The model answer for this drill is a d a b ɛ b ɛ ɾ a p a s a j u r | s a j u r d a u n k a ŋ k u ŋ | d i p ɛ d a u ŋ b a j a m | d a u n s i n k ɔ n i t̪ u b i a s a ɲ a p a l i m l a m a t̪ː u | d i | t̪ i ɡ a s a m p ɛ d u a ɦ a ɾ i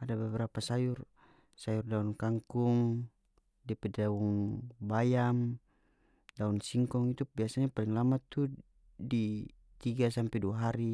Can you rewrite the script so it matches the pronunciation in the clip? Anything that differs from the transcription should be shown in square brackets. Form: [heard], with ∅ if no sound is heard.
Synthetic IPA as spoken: a d a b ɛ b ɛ ɾ a p a s a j u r | s a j u r d a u n k a ŋ k u ŋ | d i p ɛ d a u ŋ b a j a m | d a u n s i [ŋ] k ɔ [ŋ] i t̪ u b i a s a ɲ a p a l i [ŋ] l a m a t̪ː u | d i | t̪ i ɡ a s a m p ɛ d u a ɦ a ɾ i